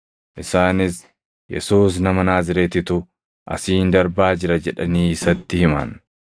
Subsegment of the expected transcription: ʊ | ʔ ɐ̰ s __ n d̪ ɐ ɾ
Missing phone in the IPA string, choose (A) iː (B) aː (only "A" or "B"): A